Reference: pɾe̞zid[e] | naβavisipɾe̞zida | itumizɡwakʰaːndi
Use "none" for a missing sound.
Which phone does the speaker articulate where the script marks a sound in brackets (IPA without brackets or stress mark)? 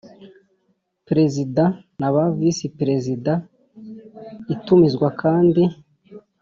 a